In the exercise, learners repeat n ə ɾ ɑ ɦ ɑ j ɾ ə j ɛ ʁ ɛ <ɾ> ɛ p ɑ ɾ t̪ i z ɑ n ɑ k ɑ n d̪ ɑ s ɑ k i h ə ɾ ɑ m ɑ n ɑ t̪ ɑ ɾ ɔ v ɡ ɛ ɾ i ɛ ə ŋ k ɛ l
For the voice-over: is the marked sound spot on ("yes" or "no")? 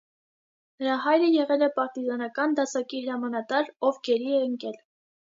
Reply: no